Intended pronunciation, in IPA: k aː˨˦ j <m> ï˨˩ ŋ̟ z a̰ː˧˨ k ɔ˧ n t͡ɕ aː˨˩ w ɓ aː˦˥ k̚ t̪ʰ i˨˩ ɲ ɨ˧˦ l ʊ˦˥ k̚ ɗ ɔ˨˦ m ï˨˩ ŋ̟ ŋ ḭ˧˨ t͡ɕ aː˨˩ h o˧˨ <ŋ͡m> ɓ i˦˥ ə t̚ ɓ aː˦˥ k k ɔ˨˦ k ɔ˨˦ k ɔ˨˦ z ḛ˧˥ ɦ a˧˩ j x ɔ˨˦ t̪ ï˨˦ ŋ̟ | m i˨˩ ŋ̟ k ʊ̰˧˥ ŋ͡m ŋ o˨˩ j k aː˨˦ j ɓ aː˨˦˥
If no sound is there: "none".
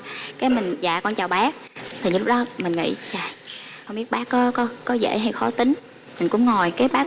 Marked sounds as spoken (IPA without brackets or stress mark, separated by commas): m, ŋ͡m